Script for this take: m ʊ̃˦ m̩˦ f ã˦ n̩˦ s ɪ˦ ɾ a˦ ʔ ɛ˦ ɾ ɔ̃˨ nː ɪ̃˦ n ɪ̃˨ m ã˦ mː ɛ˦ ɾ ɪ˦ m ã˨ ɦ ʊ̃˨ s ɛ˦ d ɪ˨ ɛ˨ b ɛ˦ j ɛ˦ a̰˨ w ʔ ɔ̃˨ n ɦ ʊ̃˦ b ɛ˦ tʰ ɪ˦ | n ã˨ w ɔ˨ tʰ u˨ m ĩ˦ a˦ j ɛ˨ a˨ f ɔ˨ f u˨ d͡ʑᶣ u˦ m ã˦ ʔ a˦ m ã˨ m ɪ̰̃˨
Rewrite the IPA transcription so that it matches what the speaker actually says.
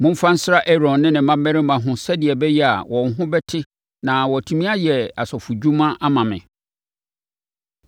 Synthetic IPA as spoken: m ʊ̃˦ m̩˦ f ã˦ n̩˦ s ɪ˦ ɾ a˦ ʔ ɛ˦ ɾ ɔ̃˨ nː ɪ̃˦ n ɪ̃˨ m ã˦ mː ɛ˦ ɾ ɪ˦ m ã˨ ɦ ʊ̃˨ s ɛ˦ d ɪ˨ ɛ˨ b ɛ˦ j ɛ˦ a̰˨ w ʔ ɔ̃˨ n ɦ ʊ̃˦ b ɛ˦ tʰ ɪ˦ | n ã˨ w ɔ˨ tʰ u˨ m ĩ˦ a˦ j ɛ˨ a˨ s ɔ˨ f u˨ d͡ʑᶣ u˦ m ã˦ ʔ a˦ m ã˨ m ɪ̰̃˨